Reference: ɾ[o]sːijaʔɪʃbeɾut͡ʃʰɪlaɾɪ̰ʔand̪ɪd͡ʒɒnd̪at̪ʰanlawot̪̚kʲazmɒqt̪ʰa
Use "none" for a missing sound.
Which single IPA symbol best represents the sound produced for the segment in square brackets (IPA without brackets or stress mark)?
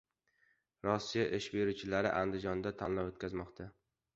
ɒ